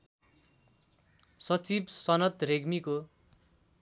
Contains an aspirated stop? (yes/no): no